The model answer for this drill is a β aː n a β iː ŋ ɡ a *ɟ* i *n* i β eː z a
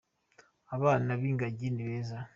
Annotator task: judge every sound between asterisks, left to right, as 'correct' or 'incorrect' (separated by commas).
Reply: correct, correct